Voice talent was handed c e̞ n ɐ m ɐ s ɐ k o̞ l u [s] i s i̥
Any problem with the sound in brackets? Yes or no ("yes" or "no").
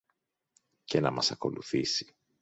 yes